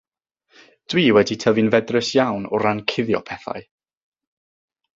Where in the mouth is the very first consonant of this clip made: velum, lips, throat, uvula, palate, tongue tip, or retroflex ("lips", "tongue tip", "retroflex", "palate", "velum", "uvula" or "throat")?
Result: tongue tip